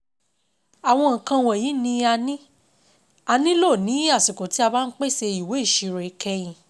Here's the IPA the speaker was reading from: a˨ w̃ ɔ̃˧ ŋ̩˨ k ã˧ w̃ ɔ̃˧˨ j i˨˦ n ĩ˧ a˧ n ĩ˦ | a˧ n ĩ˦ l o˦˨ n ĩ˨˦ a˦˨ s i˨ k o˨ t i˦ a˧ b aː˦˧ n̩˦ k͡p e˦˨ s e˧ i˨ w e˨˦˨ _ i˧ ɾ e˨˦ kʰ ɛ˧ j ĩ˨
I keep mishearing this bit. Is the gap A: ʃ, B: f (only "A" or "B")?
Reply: A